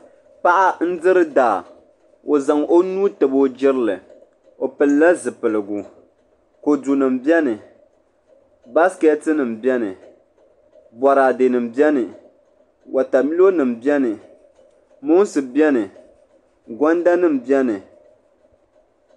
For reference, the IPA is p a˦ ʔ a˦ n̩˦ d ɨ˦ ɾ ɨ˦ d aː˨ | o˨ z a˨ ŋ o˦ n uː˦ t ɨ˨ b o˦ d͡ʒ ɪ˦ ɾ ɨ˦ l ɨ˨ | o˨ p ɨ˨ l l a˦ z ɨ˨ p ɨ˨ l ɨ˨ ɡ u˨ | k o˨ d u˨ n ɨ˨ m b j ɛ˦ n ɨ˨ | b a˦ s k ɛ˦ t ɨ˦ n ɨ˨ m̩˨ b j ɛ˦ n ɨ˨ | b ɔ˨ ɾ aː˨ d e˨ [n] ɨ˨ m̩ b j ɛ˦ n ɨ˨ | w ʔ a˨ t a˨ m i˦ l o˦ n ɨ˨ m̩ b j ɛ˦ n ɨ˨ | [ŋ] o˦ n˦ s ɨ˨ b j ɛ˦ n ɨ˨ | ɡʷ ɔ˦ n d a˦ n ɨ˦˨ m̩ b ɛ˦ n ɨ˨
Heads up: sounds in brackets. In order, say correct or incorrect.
correct, incorrect: m

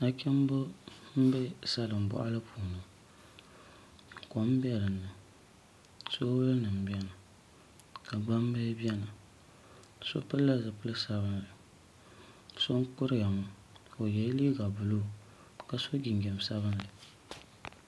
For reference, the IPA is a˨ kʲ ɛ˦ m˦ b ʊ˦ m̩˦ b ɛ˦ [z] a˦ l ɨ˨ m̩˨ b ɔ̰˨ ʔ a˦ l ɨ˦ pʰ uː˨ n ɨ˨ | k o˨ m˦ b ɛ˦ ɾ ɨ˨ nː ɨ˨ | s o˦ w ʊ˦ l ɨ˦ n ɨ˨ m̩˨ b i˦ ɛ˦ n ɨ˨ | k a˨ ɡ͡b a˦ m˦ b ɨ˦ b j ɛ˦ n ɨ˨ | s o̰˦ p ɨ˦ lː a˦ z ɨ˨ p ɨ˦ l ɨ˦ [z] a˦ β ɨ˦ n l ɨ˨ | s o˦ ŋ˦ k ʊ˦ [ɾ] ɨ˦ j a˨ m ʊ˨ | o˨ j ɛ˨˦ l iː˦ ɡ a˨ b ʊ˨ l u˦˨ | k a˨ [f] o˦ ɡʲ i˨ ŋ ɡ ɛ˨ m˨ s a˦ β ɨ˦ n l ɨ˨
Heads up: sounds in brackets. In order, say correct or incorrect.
incorrect: s, incorrect: s, correct, incorrect: s

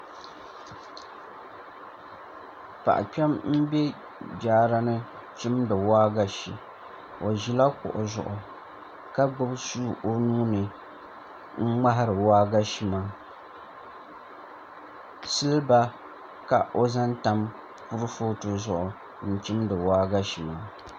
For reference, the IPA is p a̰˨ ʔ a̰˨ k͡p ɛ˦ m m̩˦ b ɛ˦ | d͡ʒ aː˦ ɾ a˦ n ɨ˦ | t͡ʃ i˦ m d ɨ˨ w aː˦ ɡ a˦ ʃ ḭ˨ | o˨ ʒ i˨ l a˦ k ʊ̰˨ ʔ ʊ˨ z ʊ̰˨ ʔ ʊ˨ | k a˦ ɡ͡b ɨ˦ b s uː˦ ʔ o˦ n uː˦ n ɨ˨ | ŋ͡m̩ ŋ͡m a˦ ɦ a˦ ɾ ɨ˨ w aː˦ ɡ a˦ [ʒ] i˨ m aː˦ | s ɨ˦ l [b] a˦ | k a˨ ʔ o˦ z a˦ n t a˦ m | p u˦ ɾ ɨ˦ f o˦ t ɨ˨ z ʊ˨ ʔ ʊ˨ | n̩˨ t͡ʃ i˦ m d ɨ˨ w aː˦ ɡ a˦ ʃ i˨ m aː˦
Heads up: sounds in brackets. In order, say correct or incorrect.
incorrect: ʃ, correct

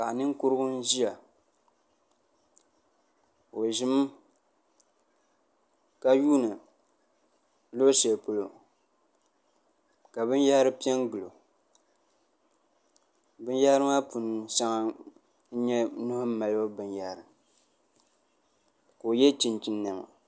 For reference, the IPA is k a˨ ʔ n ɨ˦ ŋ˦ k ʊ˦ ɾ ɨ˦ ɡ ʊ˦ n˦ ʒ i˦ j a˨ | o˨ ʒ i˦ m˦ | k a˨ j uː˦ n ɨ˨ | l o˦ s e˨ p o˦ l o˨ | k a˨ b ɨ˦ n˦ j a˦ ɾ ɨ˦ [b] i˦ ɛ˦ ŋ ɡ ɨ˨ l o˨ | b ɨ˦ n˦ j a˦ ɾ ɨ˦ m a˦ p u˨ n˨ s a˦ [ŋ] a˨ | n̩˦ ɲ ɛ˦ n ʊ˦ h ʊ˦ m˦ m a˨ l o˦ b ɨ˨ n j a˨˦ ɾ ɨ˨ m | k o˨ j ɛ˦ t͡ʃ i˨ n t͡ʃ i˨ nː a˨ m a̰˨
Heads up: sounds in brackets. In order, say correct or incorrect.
incorrect: p, correct

